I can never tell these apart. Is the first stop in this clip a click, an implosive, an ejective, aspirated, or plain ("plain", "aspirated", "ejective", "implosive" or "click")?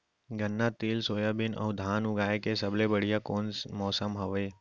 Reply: plain